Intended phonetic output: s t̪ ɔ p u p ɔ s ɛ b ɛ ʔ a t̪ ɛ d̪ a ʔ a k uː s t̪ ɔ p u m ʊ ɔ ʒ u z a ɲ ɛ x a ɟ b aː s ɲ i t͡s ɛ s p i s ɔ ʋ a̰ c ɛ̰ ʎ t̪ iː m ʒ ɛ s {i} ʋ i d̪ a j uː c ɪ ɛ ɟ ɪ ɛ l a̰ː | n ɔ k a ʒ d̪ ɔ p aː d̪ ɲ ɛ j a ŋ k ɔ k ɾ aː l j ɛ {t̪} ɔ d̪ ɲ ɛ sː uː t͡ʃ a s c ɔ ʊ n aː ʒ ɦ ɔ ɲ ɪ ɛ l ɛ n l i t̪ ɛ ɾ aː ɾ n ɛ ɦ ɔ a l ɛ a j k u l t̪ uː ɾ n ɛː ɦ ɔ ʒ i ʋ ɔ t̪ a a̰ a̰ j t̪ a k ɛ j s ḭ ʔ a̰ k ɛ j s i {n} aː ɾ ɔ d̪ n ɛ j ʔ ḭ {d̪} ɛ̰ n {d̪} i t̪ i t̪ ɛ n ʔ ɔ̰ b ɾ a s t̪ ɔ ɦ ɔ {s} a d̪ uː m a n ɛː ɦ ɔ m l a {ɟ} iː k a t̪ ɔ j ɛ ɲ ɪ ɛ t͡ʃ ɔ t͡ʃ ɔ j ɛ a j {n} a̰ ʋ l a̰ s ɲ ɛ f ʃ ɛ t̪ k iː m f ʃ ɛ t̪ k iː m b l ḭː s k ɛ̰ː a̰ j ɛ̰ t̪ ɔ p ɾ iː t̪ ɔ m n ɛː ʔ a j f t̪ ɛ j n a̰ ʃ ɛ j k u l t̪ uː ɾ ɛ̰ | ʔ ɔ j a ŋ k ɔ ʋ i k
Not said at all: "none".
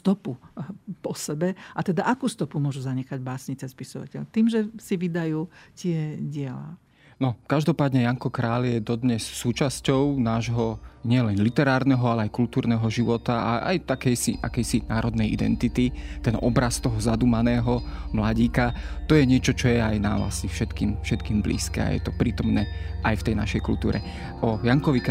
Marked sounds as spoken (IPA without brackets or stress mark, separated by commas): i, d̪, n, d̪, t̪, z, ɟ, n